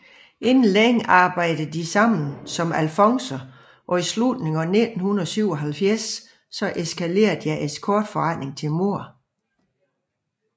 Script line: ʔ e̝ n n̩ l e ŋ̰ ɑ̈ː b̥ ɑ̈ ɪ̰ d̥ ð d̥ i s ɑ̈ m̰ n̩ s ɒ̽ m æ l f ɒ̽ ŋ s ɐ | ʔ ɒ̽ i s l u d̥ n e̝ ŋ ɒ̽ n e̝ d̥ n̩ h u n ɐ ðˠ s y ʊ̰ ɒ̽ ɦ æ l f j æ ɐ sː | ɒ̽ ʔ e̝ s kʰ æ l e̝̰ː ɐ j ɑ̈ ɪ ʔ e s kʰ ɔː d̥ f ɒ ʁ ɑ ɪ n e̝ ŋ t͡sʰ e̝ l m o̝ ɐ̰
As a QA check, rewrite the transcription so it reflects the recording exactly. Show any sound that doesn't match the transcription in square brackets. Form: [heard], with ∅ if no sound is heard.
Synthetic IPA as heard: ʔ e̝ n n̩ l e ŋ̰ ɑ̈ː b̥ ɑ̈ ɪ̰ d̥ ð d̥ i s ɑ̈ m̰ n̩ s ɒ̽ m æ l f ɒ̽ ŋ s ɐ | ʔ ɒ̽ i s l u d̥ n e̝ ŋ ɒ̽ n e̝ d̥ n̩ h u n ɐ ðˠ s y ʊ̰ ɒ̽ ɦ æ l f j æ ɐ sː | ɒ̽ ʔ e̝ s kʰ æ l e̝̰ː ɐ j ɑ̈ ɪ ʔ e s kʰ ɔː d̥ f ɒ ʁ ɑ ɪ n e̝ ŋ t͡sʰ e̝ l m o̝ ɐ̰